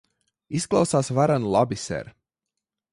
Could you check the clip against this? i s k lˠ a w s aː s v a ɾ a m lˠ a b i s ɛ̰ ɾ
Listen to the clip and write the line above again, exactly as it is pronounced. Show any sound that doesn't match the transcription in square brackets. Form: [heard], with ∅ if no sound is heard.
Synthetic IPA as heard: i s k lˠ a w s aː s v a ɾ a [n] lˠ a b i s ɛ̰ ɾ